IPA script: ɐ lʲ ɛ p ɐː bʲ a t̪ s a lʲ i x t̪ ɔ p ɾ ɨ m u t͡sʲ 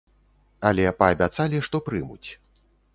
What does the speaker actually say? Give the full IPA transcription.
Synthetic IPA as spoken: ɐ lʲ ɛ p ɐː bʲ a t̪ s a lʲ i ʂ t̪ ɔ p ɾ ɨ m u t͡sʲ